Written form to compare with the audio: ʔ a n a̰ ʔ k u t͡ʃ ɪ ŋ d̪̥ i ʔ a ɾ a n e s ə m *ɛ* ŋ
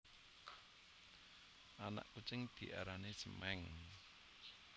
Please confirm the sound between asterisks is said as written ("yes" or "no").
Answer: yes